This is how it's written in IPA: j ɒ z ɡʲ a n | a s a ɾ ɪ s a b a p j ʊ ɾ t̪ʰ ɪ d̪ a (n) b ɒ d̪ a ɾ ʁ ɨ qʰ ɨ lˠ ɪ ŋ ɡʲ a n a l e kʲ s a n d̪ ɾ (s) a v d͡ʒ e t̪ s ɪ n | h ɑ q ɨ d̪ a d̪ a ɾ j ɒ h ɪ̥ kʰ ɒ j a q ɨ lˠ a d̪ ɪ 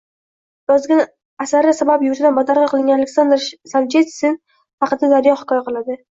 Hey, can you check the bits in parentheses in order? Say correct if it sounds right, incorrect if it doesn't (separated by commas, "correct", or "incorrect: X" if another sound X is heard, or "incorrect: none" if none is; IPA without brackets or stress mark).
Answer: correct, correct